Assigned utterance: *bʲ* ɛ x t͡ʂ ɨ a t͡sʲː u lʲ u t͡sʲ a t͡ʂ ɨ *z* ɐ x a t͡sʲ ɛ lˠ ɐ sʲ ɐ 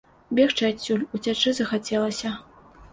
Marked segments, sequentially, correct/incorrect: correct, correct

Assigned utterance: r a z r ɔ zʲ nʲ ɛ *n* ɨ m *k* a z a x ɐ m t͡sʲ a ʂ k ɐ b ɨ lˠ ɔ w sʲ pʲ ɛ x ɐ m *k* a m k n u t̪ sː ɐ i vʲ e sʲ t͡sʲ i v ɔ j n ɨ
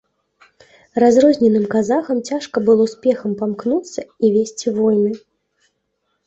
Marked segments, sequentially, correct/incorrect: correct, correct, incorrect

